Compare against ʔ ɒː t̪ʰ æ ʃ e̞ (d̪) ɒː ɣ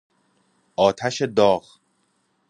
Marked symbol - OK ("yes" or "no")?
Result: yes